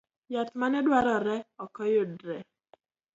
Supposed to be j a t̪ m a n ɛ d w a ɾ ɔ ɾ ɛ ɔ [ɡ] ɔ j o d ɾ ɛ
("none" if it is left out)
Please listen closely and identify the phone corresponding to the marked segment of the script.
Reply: k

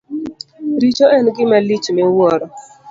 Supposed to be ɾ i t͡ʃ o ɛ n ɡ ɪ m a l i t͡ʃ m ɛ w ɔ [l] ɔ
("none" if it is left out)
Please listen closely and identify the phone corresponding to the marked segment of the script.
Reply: ɾ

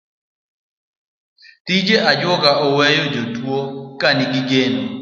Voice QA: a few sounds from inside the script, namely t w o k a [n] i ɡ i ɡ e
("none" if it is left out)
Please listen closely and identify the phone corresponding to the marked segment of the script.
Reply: n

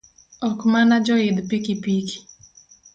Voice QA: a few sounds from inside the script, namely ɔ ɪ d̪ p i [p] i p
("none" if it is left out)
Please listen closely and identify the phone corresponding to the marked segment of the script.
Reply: k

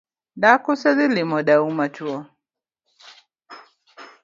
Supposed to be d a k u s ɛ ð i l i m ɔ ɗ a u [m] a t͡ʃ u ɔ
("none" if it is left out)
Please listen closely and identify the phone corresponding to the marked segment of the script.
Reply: m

